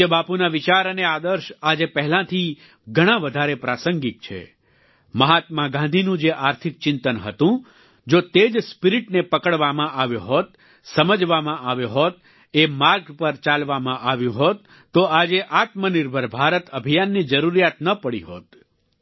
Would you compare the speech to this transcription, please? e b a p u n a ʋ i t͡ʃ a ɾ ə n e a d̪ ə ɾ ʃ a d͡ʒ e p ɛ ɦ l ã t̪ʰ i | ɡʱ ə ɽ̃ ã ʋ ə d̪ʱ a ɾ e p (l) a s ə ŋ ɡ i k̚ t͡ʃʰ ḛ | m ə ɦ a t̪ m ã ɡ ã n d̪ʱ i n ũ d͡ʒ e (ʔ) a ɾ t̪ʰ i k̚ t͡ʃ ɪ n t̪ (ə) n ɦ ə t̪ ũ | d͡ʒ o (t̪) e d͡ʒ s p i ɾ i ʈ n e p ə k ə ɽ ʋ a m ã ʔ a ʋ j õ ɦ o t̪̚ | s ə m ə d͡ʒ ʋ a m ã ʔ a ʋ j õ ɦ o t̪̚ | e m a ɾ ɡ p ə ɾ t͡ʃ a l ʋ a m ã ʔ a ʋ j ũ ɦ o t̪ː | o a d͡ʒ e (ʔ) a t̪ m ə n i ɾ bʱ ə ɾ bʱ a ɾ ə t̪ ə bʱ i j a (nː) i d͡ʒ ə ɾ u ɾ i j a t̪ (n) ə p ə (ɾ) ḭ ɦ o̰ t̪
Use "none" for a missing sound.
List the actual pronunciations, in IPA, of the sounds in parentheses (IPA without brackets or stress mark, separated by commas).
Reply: ɾ, ʔ, ə, t̪, ʔ, nː, n, ɽ